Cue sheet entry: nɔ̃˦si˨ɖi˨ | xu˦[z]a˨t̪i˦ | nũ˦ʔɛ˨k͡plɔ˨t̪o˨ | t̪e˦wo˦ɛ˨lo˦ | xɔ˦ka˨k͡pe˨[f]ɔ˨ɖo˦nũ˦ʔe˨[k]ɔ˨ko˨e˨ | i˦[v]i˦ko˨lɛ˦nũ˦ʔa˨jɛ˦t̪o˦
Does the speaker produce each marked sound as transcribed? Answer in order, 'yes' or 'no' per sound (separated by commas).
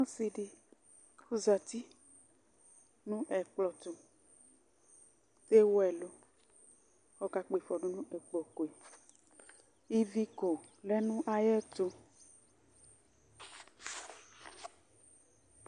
yes, yes, no, yes